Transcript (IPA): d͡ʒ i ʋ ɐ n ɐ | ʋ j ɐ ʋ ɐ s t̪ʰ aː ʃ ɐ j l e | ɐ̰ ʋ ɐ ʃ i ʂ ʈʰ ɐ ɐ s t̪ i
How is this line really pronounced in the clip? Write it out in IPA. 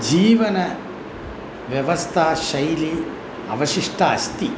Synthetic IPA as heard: d͡ʒ iː ʋ ɐ n ɐ | ʋ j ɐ ʋ ɐ s t̪ʰ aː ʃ ɐ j l i | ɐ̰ ʋ ɐ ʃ i ʂ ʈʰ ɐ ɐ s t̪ i